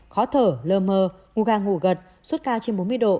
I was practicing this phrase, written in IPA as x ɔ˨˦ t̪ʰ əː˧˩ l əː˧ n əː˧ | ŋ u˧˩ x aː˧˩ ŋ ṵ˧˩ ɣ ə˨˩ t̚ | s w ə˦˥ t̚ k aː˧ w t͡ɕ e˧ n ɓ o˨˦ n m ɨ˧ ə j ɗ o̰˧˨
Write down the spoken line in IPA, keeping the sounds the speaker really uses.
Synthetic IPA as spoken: x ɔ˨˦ t̪ʰ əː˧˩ l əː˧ m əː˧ | ŋ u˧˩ ɣ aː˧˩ ŋ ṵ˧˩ ɣ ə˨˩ t̚ | s w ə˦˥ t̚ k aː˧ w t͡ɕ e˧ n ɓ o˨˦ n m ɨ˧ ə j ɗ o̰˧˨